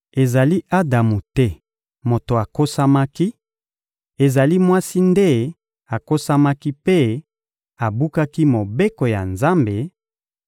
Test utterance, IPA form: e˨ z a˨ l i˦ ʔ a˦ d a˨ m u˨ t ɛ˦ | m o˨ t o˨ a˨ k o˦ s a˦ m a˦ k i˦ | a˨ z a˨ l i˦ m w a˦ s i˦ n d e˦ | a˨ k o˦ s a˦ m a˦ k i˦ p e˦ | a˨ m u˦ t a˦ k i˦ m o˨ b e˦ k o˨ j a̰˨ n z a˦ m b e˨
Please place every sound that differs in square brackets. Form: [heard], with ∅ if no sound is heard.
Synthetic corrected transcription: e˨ z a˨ l i˦ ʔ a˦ d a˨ m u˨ t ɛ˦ | m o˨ t o˨ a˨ k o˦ s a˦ m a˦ k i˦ | [e˨] z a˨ l i˦ m w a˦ s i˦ n d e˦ | a˨ k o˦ s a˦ m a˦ k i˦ p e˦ | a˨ [b] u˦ [k] a˦ k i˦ m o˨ b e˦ k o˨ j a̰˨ n z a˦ m b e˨